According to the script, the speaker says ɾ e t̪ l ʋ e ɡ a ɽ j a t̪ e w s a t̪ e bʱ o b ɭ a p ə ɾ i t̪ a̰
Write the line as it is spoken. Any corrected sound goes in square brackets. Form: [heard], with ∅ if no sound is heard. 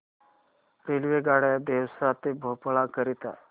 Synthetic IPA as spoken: ɾ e [∅] l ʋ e ɡ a ɽ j a [d̪] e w s a t̪ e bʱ o [p] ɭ a [k] ə ɾ i t̪ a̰